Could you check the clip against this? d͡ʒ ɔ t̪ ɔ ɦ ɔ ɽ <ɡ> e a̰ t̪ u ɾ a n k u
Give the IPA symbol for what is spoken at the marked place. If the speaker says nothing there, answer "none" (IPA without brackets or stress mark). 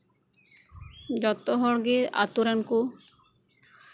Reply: ɡ